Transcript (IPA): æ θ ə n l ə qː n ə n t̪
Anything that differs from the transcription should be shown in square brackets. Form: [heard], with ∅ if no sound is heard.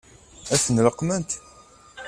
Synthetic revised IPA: æ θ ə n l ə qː [m] ə n t̪